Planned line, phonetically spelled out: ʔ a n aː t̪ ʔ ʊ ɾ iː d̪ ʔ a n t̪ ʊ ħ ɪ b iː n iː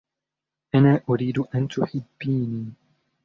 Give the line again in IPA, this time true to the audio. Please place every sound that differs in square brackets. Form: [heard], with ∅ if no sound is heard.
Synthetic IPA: ʔ a n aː [∅] ʔ ʊ ɾ iː d̪ ʔ a n t̪ ʊ ħ ɪ [bː] iː n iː